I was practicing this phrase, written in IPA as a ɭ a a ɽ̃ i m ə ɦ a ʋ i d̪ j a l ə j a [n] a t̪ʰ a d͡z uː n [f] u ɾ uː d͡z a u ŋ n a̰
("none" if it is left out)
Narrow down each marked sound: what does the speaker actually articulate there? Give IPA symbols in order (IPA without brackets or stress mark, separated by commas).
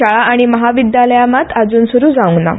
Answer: m, s